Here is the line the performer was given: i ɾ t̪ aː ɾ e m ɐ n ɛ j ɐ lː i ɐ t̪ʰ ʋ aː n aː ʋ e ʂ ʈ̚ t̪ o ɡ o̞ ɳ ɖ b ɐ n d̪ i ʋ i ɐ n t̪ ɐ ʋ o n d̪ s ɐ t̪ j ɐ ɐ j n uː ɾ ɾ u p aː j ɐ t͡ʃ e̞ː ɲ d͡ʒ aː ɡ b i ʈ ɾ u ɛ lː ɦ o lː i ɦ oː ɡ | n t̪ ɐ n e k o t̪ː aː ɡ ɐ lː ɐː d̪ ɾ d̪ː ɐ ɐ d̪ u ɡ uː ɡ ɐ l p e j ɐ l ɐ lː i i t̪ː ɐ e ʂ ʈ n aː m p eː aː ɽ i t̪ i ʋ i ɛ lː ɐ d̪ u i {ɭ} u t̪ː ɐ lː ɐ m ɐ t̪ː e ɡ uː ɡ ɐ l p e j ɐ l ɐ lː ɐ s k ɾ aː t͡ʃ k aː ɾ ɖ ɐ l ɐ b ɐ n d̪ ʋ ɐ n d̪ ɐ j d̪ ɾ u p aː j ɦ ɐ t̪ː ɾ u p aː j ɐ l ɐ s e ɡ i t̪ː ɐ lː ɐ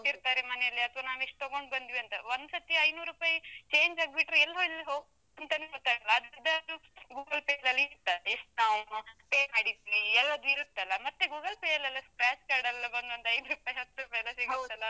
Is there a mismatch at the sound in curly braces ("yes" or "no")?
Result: yes